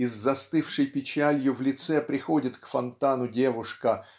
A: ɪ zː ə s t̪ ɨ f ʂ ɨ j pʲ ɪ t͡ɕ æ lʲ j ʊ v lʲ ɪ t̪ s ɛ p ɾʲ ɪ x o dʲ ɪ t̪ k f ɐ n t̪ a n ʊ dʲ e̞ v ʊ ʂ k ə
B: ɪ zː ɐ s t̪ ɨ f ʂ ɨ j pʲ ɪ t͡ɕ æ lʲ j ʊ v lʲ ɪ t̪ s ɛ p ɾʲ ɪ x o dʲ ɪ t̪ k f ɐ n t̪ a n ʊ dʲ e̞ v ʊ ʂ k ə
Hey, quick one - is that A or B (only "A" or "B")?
B